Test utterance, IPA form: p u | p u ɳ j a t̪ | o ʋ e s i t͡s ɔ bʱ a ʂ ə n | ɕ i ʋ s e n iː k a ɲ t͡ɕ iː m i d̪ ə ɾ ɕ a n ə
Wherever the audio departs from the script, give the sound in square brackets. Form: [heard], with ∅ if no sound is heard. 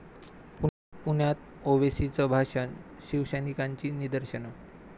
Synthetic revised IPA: p u | p u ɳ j a t̪ | o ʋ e s i t͡s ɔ bʱ a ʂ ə n | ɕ i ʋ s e n [i] k a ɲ t͡ɕ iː [n] i d̪ ə ɾ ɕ [ə] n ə